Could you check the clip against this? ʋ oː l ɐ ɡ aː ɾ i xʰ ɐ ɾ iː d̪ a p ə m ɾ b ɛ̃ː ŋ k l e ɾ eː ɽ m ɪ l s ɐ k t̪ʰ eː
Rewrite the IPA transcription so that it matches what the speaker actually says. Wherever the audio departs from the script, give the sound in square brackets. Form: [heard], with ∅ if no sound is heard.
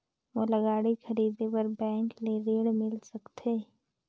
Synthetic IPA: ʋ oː l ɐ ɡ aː [ɽ] i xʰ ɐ ɾ iː d̪ [e] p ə [∅] ɾ b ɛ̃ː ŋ k l e ɾ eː ɽ m ɪ l s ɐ k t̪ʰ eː